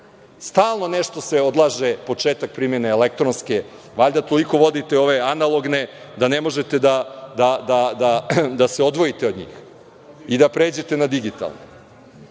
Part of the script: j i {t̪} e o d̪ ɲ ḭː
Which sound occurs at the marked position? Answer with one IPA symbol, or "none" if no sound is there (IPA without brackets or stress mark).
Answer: t̪